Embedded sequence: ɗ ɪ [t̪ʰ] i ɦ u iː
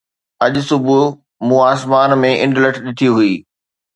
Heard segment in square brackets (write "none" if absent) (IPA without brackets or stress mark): t̪ʰ